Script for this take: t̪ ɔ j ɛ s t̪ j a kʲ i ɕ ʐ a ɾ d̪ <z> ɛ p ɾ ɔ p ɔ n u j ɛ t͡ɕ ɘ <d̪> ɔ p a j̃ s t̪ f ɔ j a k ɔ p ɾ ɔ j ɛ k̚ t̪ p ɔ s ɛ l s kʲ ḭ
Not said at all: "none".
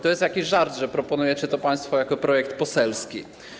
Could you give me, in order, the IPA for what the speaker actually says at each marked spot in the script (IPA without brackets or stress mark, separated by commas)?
ʐ, t̪